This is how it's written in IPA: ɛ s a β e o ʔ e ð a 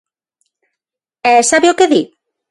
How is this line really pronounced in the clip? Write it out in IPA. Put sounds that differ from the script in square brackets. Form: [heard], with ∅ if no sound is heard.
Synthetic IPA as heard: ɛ s a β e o [k] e ð [i]